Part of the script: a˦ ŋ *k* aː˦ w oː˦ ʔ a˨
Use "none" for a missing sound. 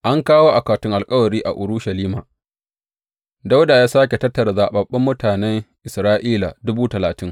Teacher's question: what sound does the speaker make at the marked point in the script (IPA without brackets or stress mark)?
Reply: k